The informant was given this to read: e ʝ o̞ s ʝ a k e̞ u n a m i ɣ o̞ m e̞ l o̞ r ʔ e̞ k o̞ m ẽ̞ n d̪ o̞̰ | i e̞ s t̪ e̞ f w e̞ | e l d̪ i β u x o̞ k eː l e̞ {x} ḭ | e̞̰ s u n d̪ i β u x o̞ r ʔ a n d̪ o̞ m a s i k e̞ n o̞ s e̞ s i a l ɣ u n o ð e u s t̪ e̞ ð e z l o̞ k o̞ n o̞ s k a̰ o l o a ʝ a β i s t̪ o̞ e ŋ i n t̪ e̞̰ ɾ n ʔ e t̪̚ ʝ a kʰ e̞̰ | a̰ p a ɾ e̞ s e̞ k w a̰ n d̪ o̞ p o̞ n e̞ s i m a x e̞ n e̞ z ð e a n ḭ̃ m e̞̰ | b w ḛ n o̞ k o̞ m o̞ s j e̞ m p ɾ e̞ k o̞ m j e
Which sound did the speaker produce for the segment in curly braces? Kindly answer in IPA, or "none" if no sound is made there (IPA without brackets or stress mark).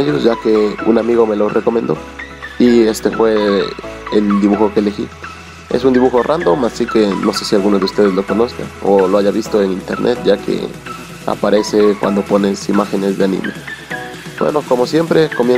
x